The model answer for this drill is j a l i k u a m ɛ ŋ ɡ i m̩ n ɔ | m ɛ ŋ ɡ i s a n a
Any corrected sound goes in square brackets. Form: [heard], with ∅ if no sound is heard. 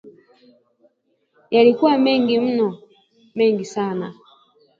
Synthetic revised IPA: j a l i k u a m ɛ ŋ ɡ i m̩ n ɔ | m ɛ ŋ ɡ i s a n a